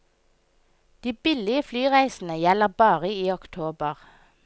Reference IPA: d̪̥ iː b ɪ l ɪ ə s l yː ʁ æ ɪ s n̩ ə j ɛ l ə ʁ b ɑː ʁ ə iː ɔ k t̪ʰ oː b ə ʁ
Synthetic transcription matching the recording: d̪̥ iː b ɪ l ɪ ə f l yː ʁ æ ɪ s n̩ ə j ɛ l ə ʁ b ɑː ʁ ə iː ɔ k t̪ʰ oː b ə ʁ